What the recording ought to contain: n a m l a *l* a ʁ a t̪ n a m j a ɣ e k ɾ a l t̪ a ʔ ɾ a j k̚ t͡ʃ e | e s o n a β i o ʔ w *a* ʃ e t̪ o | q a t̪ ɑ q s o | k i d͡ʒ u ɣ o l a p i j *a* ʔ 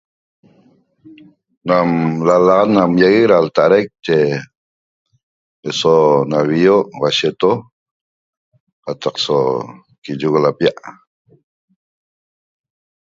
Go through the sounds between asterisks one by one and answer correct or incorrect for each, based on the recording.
correct, correct, correct

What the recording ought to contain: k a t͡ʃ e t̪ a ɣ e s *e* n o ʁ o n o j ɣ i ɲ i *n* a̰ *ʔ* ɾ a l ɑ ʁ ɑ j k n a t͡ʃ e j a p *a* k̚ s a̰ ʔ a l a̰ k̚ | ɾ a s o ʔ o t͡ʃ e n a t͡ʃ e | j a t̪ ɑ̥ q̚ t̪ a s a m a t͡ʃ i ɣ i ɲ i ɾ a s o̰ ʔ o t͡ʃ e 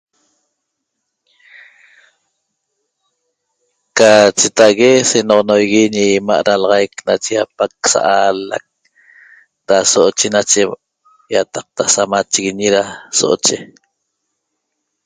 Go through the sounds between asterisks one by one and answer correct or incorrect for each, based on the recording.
correct, incorrect, correct, correct

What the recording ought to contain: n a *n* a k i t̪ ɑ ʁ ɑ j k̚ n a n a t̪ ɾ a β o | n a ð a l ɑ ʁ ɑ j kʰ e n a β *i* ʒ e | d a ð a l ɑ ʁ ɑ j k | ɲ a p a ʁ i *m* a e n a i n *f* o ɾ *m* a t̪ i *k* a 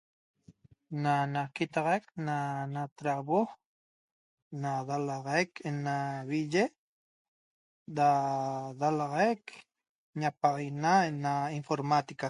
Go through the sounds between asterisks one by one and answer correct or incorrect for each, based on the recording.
correct, correct, incorrect, correct, correct, correct

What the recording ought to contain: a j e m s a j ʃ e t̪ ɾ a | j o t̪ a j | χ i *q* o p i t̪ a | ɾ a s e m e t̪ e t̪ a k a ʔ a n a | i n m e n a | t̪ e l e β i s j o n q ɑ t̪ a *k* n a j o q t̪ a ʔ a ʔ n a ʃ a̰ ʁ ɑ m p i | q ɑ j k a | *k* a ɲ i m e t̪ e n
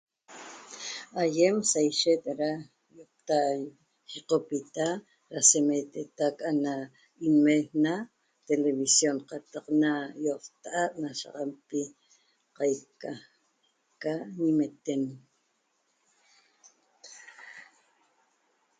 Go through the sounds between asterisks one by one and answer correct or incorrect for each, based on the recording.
correct, incorrect, correct

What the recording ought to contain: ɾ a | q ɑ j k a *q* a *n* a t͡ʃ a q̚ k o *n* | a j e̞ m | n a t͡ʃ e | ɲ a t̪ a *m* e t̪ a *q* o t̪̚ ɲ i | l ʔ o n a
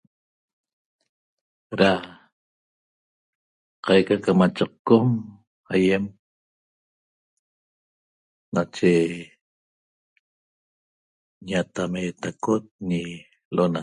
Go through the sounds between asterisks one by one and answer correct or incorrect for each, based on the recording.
incorrect, incorrect, incorrect, correct, incorrect

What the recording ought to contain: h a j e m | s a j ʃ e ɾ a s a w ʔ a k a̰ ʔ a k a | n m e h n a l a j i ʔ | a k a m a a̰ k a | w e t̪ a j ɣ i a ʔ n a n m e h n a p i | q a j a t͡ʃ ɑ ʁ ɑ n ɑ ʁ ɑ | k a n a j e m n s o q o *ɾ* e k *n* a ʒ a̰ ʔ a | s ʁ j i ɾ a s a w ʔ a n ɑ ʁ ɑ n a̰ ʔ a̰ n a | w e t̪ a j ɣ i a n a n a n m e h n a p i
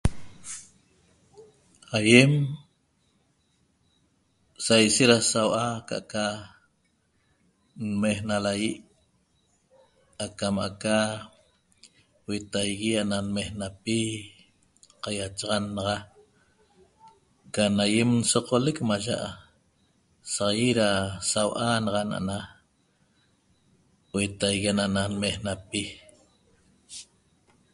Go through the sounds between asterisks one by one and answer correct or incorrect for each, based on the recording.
incorrect, incorrect

